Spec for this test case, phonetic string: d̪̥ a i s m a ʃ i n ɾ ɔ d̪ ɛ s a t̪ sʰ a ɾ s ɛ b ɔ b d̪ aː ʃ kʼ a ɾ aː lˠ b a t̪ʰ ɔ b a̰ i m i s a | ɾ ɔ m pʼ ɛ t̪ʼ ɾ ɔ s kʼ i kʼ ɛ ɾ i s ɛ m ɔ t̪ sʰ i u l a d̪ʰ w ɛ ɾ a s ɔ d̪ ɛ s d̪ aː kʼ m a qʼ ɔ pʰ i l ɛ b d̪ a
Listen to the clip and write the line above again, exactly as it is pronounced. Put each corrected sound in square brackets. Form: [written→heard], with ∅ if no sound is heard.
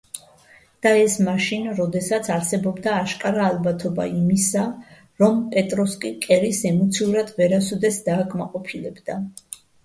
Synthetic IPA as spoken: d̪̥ a [i→ɛ] s m a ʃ i n ɾ ɔ d̪ ɛ s a t̪ sʰ a ɾ s ɛ b ɔ b d̪ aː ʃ kʼ a ɾ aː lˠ b a t̪ʰ ɔ b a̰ i m i s a | ɾ ɔ m pʼ ɛ t̪ʼ ɾ ɔ s kʼ i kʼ ɛ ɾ i s ɛ m ɔ t̪ sʰ i u [l→ɾ] a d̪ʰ [w→v] ɛ ɾ a s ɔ d̪ ɛ s d̪ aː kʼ m a qʼ ɔ pʰ i l ɛ b d̪ a